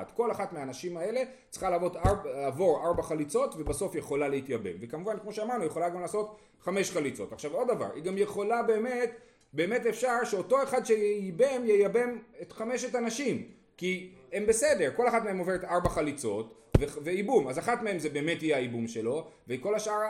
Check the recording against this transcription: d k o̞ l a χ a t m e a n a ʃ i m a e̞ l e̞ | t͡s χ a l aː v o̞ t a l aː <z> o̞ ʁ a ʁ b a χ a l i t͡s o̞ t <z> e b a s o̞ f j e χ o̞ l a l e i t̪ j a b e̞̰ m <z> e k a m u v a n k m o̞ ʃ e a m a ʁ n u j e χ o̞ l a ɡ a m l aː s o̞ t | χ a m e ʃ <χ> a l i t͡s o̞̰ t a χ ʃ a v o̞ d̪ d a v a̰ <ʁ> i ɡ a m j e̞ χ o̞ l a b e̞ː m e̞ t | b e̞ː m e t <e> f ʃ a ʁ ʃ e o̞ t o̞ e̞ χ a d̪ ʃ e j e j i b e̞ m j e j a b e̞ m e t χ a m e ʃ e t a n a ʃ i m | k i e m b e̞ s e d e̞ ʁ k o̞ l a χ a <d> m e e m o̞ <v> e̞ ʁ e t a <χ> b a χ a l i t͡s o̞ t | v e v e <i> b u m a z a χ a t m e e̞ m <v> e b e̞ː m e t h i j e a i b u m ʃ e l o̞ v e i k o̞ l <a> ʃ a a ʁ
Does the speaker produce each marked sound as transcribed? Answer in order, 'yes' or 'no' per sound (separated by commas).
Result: no, no, no, yes, yes, yes, no, yes, no, yes, no, yes